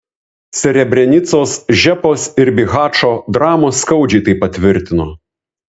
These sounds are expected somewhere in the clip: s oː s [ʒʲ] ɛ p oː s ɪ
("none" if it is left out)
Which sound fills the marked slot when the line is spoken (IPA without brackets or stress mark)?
ʒʲ